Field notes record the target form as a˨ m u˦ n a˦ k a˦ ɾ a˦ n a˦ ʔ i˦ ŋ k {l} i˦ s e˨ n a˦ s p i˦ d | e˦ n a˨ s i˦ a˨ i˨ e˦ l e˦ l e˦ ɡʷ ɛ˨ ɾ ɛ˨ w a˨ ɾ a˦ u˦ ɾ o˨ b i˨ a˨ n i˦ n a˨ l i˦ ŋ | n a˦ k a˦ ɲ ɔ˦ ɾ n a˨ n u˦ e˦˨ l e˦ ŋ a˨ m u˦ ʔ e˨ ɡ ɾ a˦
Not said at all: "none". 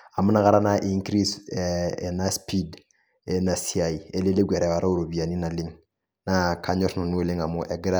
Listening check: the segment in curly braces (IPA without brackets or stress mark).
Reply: ɾ